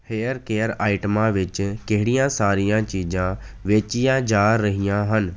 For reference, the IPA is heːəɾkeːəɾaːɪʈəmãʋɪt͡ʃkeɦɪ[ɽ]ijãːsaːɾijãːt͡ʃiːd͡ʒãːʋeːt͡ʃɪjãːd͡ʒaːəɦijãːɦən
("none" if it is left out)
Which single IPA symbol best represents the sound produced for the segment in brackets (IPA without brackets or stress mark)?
ɽ